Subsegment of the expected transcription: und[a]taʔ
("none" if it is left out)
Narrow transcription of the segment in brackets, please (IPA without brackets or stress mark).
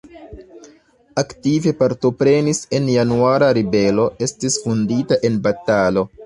i